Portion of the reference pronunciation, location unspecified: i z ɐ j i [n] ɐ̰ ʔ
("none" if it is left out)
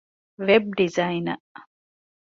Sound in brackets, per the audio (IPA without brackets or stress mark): n